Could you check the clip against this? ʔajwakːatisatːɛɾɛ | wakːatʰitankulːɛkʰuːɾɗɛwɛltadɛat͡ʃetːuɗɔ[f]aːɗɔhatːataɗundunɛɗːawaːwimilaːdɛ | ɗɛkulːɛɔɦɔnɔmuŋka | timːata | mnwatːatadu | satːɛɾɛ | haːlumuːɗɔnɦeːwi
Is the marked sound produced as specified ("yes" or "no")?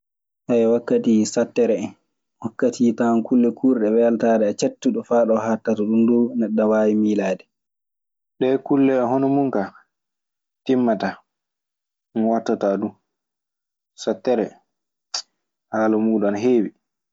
yes